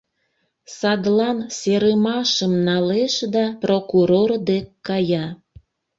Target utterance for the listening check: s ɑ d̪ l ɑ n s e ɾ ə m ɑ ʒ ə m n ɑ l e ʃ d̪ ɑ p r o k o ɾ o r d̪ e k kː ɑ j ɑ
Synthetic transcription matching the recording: s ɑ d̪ l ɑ n s e ɾ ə m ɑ ʃ ə m n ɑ l e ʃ d̪ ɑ p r o k u ɾ o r d̪ e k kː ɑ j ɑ